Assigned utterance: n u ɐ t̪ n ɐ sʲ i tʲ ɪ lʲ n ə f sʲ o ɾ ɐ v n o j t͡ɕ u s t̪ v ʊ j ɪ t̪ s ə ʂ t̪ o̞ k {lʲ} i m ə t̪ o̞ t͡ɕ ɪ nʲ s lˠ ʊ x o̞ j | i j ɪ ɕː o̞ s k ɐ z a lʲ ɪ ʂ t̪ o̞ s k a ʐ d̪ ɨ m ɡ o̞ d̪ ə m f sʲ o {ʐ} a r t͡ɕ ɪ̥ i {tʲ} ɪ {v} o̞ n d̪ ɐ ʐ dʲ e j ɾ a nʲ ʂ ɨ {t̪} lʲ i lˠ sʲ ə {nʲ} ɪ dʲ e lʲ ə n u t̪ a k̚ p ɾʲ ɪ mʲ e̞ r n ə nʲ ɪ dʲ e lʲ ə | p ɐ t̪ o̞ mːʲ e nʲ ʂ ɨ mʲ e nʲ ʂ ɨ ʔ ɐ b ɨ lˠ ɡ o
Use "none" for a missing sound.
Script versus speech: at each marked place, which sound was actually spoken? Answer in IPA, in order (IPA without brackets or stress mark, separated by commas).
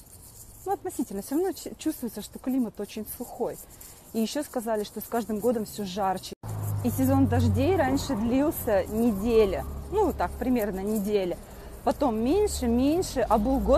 lʲ, ʐ, sʲ, z, d̪, nʲ